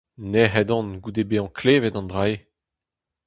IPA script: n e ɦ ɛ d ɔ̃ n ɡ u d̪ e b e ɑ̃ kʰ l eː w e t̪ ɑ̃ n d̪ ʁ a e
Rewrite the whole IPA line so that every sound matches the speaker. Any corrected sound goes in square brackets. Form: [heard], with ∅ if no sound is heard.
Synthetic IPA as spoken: n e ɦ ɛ d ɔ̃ n ɡ u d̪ e b e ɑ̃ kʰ l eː [v] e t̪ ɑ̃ n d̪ ʁ a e